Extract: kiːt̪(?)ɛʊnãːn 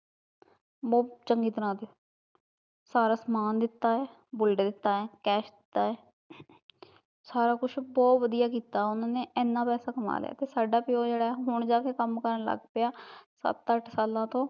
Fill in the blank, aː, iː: aː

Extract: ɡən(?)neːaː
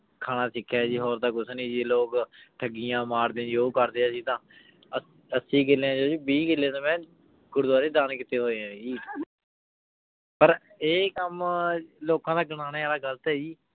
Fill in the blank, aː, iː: aː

